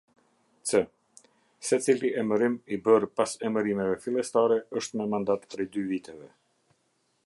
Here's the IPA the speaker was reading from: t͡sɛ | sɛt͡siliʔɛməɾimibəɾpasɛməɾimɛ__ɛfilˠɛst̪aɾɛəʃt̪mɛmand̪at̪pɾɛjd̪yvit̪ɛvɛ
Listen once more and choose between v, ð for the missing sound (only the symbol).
v